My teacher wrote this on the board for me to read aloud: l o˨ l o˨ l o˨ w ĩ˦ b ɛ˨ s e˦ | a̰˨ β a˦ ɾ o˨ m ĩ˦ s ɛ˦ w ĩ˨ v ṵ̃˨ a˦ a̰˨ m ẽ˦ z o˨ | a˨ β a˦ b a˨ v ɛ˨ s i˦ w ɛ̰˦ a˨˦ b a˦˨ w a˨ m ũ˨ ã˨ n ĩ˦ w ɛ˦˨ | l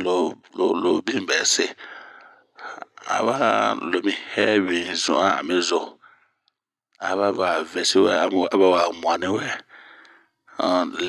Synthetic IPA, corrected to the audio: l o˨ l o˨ l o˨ b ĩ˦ b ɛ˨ s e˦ | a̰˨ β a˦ l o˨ m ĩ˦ h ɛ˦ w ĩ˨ z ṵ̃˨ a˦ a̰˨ m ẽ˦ z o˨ | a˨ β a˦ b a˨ v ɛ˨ s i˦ w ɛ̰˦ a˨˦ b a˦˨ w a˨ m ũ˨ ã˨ n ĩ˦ w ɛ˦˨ | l